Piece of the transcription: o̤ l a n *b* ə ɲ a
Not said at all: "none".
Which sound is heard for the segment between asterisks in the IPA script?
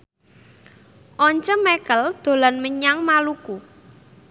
m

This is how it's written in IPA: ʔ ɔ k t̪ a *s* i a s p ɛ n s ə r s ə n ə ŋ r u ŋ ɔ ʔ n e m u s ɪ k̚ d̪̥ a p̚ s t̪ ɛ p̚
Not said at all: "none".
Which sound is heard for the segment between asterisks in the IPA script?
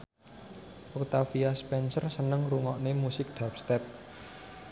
f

